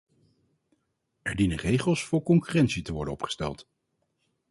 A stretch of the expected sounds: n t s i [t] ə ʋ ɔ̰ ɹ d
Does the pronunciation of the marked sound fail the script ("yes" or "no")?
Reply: no